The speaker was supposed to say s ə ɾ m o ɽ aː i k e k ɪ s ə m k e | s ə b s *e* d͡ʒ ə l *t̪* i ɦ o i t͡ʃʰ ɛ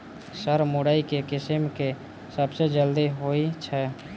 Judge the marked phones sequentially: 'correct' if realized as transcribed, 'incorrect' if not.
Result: correct, incorrect: d̪

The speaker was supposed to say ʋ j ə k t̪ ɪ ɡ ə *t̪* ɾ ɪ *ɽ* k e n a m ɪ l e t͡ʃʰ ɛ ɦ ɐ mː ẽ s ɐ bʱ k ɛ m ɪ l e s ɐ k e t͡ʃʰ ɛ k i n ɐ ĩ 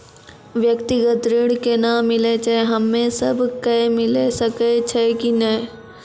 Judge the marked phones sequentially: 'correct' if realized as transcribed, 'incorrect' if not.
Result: correct, correct

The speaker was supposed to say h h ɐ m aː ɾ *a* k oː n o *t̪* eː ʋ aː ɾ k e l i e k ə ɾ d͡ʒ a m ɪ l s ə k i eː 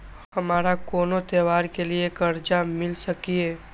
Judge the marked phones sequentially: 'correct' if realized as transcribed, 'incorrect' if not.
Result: correct, correct

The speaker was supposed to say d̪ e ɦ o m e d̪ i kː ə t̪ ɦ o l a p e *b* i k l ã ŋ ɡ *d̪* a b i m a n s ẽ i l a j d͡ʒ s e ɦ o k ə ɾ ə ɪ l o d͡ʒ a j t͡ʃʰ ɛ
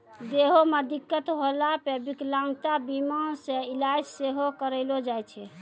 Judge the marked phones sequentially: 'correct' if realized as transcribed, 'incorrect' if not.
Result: correct, incorrect: t̪

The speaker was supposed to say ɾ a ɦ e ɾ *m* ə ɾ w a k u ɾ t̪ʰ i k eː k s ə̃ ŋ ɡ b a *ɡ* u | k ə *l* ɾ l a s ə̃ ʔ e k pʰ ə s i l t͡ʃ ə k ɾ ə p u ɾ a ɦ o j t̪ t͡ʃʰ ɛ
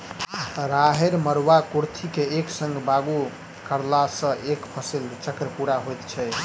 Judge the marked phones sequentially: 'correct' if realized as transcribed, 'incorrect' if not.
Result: correct, correct, incorrect: none

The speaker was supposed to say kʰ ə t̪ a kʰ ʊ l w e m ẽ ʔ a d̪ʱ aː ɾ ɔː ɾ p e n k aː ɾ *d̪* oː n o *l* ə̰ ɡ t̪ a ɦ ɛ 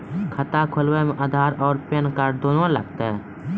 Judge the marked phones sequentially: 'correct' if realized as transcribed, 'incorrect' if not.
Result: correct, correct

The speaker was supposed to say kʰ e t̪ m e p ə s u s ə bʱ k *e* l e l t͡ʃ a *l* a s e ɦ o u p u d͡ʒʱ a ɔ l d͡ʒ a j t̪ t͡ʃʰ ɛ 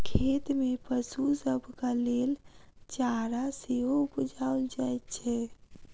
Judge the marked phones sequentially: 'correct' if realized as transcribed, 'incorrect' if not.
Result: incorrect: a, incorrect: ɾ

